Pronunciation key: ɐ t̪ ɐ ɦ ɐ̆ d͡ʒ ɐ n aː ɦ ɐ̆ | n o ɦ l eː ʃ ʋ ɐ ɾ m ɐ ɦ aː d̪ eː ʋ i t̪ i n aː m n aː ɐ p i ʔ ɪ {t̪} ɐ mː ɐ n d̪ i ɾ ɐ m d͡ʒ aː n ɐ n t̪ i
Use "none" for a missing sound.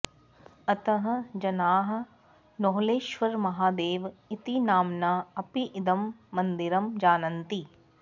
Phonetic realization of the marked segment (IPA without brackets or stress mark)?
d̪